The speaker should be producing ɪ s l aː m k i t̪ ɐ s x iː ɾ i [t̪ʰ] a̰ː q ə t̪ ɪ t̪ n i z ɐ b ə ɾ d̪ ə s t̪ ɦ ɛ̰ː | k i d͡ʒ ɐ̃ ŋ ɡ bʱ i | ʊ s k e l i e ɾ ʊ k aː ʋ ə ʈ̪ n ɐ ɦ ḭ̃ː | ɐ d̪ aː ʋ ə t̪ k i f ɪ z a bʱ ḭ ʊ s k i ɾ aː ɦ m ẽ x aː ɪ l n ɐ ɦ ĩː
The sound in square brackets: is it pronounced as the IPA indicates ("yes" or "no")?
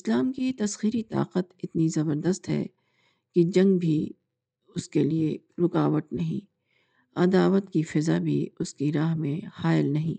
no